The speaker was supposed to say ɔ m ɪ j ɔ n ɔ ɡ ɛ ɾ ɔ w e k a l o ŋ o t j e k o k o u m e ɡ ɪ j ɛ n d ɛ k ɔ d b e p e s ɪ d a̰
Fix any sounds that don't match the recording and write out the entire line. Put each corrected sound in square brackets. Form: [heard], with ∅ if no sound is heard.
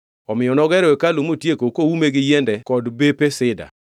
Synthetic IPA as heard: ɔ m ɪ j ɔ n ɔ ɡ ɛ ɾ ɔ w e k a l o [m] o t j e k o k o u m e ɡ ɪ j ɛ n d ɛ k ɔ d b e p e s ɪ d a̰

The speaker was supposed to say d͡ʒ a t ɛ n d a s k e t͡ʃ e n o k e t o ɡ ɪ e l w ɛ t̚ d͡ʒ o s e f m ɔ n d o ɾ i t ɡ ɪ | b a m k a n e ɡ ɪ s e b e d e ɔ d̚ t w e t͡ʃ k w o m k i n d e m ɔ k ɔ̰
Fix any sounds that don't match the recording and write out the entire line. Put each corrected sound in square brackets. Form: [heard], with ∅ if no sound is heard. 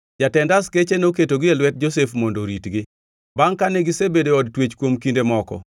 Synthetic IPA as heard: d͡ʒ a t ɛ n d a s k e t͡ʃ e n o k e t o ɡ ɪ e l w ɛ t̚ d͡ʒ o s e f m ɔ n d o ɾ i t ɡ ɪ | b a [ŋ] k a n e ɡ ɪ s e b e d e ɔ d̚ t w e t͡ʃ k w o m k i n d e m ɔ k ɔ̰

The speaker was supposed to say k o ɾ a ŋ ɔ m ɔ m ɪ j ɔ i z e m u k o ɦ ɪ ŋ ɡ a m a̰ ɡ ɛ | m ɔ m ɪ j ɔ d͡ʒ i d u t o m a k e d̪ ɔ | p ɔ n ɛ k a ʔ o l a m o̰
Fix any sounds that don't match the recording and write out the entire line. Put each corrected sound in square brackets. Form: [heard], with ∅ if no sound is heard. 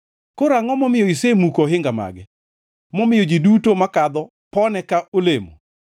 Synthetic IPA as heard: k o ɾ a ŋ ɔ m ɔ m ɪ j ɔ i [s] e m u k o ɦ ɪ ŋ ɡ a m a̰ ɡ ɛ | m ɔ m ɪ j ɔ d͡ʒ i d u t o m a k [a] d̪ ɔ | p ɔ n ɛ k a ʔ o l [e] m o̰

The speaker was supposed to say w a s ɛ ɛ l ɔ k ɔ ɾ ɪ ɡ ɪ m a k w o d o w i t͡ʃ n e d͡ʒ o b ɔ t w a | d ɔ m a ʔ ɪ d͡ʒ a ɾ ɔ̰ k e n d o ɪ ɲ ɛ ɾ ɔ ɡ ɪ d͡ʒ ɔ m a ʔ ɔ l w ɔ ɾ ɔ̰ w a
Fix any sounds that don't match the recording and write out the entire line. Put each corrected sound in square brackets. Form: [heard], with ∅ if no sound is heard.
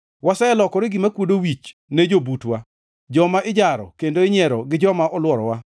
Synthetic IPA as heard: w a s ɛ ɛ l ɔ k ɔ ɾ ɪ ɡ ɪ m a k w o d o w i t͡ʃ n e d͡ʒ o b [u] t w a | [d͡ʒ] ɔ m a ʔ ɪ d͡ʒ a ɾ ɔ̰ k e n d o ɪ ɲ ɛ ɾ ɔ ɡ ɪ d͡ʒ ɔ m a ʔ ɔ l w ɔ ɾ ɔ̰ w a

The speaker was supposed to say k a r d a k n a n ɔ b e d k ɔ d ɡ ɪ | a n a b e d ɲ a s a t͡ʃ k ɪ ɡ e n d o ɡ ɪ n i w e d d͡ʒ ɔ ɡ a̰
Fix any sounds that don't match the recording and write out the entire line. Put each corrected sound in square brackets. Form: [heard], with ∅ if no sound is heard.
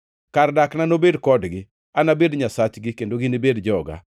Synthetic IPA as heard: k a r d a k n a n [o] b e d k ɔ d ɡ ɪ | a n a b e d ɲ a s a t͡ʃ [ɡ] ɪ [k] e n d o ɡ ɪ n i [b] e d d͡ʒ ɔ ɡ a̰

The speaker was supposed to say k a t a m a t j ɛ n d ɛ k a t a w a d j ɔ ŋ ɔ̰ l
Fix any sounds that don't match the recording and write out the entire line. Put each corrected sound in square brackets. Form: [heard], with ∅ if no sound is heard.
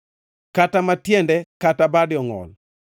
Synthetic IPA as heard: k a t a m a t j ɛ n d ɛ k a t a [b] a d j ɔ ŋ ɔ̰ l

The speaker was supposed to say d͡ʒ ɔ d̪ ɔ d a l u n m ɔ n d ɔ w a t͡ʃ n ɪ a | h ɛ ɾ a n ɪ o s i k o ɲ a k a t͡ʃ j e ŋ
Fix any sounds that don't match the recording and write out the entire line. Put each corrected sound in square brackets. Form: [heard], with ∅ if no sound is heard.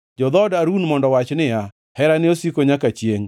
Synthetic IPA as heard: d͡ʒ ɔ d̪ ɔ d a [ɾ] u n m ɔ n d ɔ w a t͡ʃ n ɪ a | h ɛ ɾ a n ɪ o s i k o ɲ a k a t͡ʃ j e ŋ

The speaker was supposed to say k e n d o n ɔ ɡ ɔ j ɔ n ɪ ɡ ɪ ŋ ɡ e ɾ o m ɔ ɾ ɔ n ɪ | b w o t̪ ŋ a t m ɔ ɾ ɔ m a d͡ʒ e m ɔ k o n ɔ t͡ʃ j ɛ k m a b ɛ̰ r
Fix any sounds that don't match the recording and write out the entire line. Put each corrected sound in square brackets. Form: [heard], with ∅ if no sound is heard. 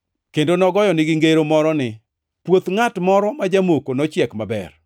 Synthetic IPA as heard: k e n d o n ɔ ɡ ɔ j ɔ n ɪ ɡ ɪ ŋ ɡ e ɾ o m ɔ ɾ ɔ n ɪ | [p] w o t̪ ŋ a t m ɔ ɾ ɔ m a d͡ʒ [a] m [o] k o n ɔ t͡ʃ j ɛ k m a b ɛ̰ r

